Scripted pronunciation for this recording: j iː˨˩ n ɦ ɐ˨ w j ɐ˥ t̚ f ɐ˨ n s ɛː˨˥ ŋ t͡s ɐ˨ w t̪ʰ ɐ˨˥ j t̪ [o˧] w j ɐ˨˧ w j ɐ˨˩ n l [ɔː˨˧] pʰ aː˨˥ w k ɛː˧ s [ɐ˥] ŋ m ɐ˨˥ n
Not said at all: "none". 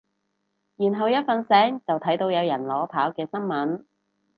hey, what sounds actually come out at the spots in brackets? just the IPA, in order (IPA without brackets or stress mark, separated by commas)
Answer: o˧, ɔː˨˧, ɐ˥